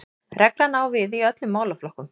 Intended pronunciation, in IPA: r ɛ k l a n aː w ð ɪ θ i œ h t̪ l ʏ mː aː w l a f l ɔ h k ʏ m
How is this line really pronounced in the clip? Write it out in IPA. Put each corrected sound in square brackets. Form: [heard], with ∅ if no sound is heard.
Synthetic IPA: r ɛ k l a n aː w [v] ɪ [ð] i œ [∅] t̪ l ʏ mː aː w l a f l ɔ h k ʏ m